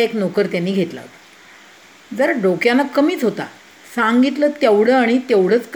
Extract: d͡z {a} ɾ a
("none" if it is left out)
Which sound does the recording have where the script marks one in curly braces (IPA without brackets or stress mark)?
ə